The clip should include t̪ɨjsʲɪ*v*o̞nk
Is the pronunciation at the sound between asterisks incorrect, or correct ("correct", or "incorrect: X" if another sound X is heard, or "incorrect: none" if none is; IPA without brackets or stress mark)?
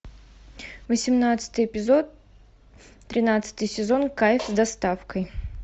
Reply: incorrect: z